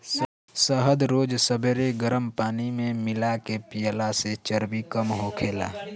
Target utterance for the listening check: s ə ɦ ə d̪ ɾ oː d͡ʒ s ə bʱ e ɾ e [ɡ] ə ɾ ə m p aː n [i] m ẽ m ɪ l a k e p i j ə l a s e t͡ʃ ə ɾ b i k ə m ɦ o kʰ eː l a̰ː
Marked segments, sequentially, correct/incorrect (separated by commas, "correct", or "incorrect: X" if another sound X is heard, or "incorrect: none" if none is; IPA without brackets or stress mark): correct, correct